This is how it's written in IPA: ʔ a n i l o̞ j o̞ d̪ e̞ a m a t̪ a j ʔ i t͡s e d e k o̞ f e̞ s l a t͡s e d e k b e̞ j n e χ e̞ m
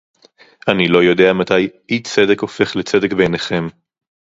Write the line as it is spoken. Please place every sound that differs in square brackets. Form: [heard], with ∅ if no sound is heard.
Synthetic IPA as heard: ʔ a n i l o̞ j o̞ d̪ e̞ a m a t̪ a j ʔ i t͡s e d e k o̞ f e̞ [χ] l [e] t͡s e d e k b e̞ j n e χ e̞ m